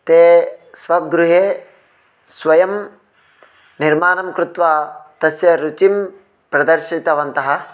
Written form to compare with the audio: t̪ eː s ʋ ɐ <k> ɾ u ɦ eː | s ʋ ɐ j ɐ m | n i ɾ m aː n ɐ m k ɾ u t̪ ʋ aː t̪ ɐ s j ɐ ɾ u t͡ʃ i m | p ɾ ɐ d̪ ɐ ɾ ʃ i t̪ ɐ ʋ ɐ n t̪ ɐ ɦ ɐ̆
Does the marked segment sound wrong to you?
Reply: yes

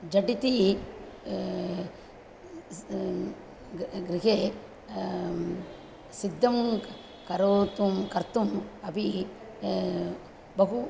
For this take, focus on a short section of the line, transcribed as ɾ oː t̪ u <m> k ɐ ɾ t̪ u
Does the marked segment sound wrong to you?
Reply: no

